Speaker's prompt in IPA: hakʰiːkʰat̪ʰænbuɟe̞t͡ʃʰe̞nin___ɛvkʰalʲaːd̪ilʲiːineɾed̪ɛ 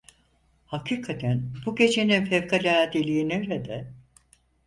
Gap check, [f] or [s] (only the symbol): f